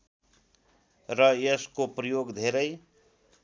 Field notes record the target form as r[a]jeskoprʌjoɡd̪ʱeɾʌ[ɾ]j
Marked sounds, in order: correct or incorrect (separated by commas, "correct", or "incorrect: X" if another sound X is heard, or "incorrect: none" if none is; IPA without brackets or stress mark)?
incorrect: ʌ, incorrect: none